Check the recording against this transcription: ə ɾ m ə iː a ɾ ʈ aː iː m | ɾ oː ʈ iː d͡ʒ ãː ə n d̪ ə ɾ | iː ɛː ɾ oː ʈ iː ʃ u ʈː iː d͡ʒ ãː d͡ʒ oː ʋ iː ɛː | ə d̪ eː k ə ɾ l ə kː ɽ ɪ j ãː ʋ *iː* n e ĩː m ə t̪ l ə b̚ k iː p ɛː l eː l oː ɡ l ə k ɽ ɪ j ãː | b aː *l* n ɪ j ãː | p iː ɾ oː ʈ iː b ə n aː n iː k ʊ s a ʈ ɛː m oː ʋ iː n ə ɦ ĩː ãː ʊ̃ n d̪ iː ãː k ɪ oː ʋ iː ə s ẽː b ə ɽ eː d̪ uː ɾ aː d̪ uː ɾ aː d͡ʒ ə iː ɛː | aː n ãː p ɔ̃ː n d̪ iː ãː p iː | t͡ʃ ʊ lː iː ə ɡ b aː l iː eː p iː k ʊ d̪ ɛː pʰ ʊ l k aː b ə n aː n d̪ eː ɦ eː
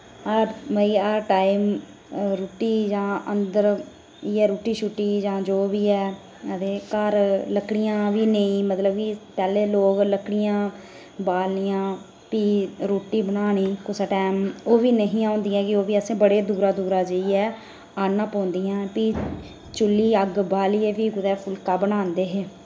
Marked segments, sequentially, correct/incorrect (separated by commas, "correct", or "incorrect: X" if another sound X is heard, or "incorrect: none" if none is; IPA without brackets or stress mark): correct, correct